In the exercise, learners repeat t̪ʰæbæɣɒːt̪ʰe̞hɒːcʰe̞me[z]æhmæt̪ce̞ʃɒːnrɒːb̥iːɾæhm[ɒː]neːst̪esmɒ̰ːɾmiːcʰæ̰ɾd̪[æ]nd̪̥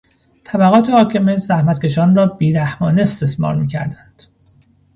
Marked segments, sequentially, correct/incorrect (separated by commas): correct, correct, correct